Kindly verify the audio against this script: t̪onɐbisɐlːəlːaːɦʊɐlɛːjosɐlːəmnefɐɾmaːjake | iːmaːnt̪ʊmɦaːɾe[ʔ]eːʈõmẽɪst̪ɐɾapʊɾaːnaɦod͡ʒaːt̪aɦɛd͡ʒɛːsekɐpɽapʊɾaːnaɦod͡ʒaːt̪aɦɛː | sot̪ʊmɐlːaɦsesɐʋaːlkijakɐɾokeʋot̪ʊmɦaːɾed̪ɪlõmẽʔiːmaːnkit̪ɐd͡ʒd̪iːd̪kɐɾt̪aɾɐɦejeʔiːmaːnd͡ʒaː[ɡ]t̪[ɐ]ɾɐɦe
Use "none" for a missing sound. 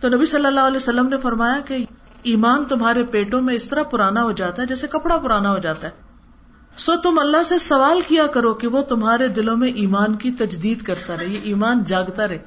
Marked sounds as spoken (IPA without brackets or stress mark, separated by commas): p, ɡ, a